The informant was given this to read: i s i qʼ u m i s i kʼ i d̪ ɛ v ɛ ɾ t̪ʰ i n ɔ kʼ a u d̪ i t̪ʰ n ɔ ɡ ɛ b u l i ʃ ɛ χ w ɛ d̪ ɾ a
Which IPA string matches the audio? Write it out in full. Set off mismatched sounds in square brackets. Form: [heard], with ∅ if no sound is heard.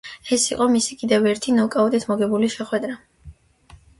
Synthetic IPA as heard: [ɛ] s i qʼ [ɔ] m i s i kʼ i d̪ ɛ v ɛ ɾ t̪ʰ i n ɔ kʼ a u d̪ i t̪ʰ [m] ɔ ɡ ɛ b u l i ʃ ɛ χ w ɛ d̪ ɾ a